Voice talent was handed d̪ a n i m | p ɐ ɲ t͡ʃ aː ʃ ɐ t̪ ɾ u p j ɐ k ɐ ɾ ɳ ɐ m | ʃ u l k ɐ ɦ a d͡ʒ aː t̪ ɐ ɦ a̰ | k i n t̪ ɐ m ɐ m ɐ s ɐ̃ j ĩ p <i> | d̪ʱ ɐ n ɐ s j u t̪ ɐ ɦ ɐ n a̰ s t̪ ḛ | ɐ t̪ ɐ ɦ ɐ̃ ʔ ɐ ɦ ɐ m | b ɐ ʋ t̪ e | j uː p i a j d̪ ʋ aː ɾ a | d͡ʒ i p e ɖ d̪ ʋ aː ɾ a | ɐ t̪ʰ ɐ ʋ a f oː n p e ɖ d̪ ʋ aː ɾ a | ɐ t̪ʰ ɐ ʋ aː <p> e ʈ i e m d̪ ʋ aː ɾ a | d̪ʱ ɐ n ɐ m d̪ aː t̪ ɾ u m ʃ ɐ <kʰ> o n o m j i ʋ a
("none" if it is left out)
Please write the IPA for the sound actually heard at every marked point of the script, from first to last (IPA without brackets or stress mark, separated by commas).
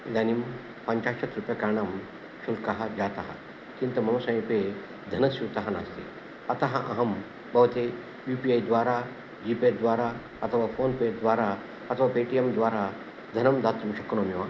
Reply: e, p, k